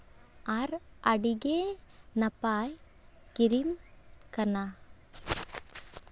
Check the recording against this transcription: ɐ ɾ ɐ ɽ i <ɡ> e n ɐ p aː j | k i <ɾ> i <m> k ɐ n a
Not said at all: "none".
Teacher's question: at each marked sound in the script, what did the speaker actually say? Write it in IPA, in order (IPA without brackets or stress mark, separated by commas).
ɡ, ɾ, m